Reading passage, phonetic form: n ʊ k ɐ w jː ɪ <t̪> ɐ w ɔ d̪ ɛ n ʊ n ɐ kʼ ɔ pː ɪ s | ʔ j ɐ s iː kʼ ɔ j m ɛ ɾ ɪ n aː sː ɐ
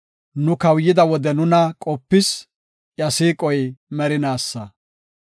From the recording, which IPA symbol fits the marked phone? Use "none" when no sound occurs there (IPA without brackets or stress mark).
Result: d̪